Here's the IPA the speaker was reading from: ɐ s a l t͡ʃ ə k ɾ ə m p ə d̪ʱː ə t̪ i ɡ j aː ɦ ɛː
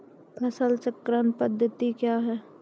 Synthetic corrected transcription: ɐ s ə l t͡ʃ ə k ɾ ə n p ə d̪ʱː ə t̪ i k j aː ɦ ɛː